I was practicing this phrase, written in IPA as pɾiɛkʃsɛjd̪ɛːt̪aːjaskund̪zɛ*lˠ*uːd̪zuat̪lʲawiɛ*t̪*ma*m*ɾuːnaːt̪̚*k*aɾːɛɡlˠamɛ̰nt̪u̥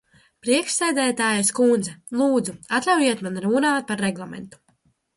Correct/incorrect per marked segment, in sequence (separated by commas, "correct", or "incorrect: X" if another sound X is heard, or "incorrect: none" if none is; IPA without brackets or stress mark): correct, correct, incorrect: n, incorrect: p